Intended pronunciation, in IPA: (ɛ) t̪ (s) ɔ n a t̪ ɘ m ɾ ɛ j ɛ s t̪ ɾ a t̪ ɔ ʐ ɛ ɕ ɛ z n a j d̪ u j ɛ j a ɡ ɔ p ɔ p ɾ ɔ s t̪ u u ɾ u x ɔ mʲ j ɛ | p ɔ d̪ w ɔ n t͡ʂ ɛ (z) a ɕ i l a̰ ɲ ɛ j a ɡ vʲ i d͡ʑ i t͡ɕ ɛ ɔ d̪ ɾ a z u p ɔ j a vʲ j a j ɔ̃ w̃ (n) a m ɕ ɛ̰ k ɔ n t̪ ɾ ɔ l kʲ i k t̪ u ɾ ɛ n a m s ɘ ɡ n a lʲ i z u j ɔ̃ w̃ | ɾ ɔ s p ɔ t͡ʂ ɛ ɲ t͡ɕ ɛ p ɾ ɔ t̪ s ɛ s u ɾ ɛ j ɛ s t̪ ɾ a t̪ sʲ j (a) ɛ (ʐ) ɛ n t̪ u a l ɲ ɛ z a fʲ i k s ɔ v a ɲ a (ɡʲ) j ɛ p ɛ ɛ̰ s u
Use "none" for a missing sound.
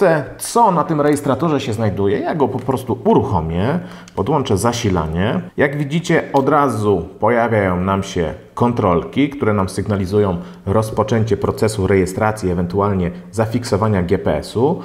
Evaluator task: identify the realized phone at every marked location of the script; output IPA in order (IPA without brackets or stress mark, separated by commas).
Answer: ɛ, s, z, n, i, v, ɡʲ